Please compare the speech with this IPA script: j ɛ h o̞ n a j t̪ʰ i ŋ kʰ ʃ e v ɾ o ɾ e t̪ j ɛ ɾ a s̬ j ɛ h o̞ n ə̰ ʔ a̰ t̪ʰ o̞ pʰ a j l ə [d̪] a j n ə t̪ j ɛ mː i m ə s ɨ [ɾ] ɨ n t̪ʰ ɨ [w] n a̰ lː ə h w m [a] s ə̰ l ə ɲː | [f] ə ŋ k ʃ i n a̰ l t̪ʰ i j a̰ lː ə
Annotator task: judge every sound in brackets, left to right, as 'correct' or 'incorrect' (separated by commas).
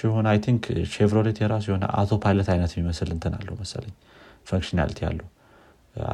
incorrect, incorrect, incorrect, incorrect, correct